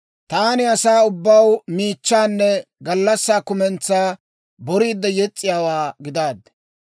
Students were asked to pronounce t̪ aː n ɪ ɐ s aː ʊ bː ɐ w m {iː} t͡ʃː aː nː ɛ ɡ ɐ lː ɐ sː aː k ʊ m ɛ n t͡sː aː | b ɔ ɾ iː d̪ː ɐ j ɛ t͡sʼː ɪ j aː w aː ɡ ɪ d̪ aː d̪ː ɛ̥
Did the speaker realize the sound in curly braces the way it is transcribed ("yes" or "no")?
yes